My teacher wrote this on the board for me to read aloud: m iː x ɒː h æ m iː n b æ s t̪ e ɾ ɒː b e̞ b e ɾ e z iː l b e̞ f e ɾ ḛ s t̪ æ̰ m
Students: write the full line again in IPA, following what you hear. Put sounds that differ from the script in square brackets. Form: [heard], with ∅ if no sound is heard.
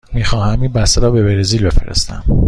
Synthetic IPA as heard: m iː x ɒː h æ m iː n b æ s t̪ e ɾ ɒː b e̞ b e ɾ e z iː l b e̞ f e ɾ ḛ s t̪ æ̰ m